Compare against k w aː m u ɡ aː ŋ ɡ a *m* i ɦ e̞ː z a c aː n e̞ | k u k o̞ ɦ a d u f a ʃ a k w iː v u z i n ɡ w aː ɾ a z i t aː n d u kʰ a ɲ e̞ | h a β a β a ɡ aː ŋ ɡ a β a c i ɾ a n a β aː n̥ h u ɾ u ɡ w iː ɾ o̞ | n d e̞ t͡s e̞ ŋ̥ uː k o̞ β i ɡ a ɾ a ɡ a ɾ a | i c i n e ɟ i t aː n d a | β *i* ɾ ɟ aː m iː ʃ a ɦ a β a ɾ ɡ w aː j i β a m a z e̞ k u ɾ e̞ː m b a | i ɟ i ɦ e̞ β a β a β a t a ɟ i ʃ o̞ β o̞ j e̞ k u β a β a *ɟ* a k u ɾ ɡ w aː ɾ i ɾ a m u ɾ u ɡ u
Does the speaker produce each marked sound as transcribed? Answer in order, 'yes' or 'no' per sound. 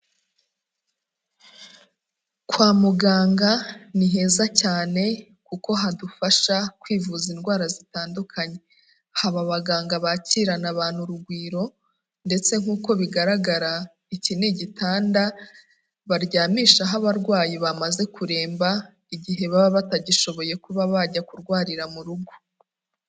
no, no, yes

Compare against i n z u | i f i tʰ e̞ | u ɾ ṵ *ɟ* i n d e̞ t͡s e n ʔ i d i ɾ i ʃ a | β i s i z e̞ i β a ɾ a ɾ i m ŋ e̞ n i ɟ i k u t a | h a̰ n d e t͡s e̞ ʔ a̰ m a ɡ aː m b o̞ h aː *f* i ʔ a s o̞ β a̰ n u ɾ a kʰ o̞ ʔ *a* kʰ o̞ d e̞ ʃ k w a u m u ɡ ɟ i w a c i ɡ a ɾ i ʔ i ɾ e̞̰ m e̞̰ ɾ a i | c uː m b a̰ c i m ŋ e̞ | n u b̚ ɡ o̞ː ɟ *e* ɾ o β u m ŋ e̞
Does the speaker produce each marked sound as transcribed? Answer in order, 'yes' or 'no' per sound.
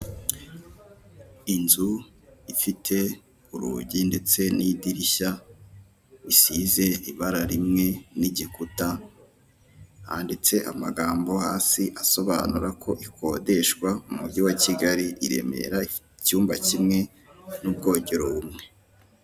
yes, no, no, yes

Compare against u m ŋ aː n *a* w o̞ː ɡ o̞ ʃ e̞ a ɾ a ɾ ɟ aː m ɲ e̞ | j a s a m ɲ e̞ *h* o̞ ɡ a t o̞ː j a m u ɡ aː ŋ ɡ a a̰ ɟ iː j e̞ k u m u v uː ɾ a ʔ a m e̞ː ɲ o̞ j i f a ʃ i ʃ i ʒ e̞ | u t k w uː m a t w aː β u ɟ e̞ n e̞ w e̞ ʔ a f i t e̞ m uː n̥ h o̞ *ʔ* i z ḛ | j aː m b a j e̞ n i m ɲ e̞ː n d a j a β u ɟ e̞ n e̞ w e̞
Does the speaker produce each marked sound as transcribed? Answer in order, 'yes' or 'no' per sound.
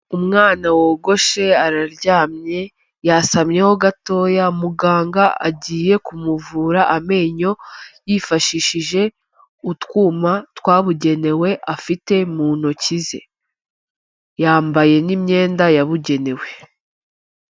yes, yes, no

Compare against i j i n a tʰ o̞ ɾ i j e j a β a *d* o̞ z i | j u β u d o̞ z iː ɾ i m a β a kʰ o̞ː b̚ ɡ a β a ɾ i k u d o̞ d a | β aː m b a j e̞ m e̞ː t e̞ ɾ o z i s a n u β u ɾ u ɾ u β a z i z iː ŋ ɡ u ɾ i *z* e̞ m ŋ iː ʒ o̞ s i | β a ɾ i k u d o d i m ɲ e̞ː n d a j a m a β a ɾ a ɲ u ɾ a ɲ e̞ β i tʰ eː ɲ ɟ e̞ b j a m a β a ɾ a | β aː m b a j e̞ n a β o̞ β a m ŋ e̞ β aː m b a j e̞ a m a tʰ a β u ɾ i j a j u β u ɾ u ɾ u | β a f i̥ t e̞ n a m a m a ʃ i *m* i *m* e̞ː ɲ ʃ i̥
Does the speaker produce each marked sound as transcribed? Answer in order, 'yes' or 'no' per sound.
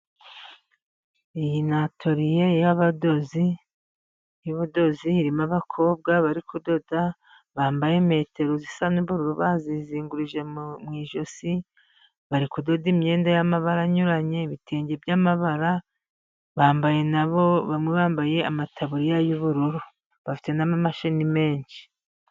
yes, no, no, yes

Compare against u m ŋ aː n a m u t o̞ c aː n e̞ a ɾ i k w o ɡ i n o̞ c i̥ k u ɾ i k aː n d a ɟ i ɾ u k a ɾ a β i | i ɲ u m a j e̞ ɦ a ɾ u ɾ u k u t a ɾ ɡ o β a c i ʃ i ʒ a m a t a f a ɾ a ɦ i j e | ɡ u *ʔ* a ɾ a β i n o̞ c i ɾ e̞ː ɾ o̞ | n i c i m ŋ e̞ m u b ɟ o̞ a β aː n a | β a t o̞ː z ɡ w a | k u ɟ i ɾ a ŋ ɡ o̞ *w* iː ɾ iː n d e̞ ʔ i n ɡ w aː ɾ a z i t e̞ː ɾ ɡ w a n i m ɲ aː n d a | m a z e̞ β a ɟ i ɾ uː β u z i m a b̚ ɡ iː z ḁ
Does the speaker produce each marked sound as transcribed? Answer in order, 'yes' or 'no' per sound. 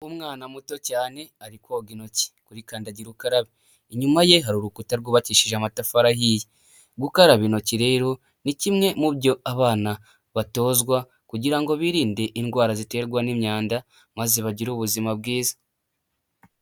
no, no

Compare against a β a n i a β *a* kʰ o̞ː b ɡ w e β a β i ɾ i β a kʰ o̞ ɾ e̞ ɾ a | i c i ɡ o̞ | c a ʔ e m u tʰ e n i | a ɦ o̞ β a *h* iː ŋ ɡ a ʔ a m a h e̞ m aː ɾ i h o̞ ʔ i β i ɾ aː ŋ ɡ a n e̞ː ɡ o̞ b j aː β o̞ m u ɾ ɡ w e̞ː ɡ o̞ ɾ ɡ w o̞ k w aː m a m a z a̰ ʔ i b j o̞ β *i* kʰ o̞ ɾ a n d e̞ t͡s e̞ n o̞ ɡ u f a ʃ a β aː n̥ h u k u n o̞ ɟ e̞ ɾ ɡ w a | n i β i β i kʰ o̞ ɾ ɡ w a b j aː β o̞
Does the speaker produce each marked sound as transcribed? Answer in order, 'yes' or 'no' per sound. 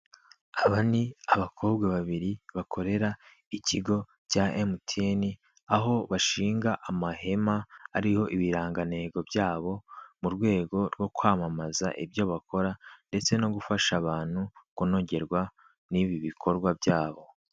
yes, no, no

